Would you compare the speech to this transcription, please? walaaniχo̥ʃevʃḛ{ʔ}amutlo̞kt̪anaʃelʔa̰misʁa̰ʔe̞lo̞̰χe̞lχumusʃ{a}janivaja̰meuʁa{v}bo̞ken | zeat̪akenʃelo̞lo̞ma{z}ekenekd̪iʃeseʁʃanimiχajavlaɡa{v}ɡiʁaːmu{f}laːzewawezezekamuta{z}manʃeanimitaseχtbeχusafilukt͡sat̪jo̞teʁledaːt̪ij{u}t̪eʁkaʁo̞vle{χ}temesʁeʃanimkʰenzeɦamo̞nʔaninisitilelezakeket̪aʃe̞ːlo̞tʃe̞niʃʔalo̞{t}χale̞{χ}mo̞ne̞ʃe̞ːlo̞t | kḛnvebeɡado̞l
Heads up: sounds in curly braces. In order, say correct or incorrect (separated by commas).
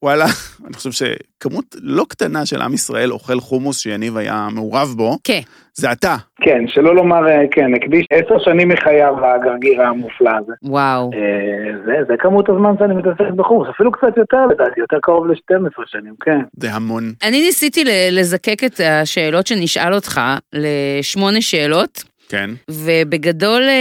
incorrect, incorrect, correct, incorrect, incorrect, correct, correct, incorrect, incorrect, correct, incorrect